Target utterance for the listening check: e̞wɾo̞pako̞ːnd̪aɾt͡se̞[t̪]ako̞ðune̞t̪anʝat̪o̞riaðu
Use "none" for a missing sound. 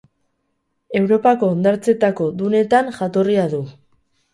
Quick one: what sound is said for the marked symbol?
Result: t̪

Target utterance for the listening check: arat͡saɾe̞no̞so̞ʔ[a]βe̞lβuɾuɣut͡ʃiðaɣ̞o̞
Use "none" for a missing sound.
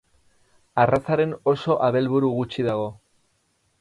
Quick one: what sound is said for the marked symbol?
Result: a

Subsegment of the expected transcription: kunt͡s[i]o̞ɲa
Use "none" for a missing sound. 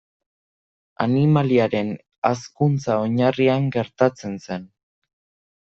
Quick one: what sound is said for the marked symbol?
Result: a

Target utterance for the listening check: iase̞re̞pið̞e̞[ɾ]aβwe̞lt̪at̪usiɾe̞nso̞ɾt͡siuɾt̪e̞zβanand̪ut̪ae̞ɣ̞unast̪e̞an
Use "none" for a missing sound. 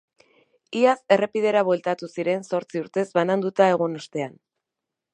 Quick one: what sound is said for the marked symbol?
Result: ɾ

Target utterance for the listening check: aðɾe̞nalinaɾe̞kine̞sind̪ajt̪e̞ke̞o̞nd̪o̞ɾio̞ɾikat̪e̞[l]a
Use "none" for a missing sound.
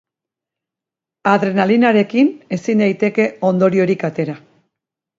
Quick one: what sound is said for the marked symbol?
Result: ɾ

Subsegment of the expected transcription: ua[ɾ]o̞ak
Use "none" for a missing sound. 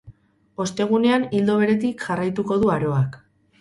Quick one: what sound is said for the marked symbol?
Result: ɾ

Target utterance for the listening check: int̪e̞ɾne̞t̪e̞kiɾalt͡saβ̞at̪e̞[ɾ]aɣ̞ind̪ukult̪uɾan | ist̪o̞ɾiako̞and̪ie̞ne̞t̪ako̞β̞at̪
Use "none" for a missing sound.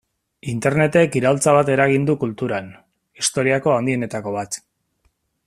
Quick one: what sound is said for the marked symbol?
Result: ɾ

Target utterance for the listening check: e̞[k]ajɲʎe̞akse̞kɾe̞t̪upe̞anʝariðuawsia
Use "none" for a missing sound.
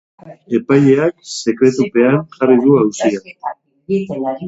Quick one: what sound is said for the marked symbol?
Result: p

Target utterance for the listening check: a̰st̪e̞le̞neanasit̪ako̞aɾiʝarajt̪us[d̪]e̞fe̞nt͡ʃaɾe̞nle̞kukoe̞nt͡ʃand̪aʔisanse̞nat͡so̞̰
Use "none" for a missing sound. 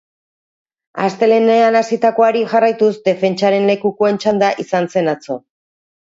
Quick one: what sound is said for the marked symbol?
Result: d̪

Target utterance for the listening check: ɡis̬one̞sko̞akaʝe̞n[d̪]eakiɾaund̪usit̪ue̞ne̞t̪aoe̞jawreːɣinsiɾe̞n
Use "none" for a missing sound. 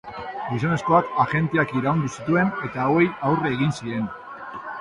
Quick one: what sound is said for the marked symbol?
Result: t̪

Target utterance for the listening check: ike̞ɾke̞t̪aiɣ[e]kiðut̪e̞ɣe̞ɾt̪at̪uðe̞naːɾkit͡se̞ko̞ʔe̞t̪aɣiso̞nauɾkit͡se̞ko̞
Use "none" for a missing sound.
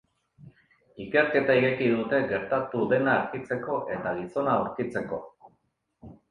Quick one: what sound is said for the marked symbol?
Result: e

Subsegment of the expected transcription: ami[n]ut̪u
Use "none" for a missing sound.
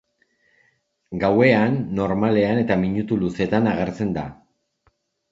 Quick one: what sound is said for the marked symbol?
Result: ɲ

